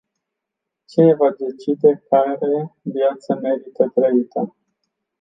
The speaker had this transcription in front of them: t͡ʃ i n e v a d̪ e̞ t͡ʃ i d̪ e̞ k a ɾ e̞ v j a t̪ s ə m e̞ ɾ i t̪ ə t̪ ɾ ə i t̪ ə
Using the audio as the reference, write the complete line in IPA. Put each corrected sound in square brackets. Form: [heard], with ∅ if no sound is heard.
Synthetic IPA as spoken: t͡ʃ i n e v a d̪ e̞ t͡ʃ i d̪ e̞ k a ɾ e̞ v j a t̪ s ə m e̞ ɾ i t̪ ə t̪ ɾ ə i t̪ ə